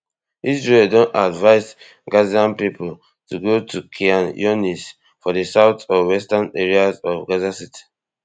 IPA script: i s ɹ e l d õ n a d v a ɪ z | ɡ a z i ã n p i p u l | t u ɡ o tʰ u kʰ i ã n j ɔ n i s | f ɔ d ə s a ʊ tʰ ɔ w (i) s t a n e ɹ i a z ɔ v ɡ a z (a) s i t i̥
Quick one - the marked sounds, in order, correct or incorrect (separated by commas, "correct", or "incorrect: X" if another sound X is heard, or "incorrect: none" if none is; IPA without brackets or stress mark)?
incorrect: ɛ, correct